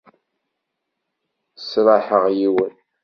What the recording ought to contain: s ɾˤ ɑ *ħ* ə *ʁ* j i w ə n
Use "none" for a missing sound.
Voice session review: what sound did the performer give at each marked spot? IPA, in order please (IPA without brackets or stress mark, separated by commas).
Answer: ħ, ʁ